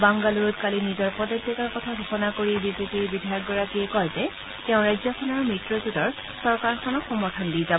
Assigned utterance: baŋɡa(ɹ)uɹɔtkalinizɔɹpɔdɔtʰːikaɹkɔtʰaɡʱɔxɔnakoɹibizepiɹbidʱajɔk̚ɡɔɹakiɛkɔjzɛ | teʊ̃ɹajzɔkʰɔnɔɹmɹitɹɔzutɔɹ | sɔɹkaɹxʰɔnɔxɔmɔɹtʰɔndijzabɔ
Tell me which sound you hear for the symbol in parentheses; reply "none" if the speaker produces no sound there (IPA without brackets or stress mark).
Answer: l